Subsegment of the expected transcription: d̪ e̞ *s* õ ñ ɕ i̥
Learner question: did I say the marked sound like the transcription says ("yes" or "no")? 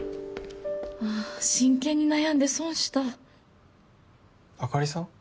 yes